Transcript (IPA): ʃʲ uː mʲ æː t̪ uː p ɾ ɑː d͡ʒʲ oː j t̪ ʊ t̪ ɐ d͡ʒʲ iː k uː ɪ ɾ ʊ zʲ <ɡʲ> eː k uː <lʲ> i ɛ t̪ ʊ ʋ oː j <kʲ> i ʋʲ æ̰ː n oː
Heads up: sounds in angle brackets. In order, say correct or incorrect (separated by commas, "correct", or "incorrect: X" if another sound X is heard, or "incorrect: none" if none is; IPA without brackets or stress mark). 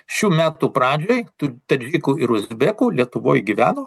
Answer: incorrect: bʲ, correct, incorrect: ɡʲ